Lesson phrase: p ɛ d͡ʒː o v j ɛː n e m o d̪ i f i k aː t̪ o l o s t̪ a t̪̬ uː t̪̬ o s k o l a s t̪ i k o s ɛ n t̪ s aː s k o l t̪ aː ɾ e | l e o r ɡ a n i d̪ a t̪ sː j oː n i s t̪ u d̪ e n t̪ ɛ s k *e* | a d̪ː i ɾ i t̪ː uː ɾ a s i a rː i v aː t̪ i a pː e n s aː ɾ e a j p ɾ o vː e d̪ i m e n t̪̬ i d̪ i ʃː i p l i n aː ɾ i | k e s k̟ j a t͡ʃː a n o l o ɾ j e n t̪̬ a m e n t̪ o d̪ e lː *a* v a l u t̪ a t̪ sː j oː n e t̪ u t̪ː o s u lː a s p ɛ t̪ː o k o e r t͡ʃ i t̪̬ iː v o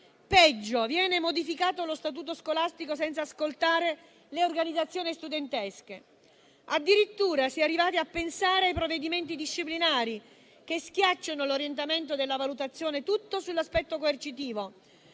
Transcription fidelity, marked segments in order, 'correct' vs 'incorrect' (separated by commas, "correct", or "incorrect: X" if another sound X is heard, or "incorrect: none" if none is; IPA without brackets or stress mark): correct, correct